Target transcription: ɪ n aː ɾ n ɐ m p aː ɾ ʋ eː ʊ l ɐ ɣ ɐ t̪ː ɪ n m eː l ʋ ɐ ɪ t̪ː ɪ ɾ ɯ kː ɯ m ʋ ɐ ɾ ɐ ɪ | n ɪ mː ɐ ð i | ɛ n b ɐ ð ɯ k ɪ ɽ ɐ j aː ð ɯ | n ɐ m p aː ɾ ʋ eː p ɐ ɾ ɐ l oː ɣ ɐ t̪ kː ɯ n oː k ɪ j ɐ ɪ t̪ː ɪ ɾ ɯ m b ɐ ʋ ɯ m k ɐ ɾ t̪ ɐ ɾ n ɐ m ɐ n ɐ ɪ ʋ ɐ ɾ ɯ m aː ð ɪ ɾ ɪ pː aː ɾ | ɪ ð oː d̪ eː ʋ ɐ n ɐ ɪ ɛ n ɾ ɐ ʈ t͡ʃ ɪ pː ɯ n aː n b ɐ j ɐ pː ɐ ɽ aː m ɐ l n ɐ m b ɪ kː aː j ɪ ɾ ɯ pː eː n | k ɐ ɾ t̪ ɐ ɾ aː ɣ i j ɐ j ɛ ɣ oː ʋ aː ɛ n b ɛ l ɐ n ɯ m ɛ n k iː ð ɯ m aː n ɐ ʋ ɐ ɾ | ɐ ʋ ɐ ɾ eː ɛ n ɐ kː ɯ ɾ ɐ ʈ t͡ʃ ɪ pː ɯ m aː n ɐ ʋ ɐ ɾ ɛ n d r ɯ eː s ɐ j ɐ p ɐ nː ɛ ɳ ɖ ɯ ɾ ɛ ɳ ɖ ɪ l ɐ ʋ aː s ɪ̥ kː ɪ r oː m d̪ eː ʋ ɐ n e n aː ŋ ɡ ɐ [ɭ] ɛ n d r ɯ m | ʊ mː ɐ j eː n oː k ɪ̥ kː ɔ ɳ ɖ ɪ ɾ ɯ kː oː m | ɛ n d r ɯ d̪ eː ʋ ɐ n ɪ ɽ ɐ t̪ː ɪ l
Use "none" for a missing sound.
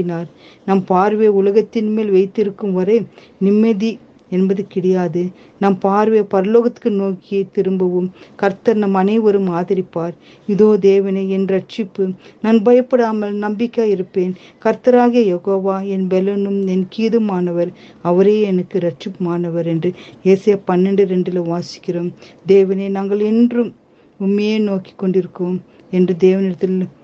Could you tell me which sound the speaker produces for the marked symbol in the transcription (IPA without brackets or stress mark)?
ɭ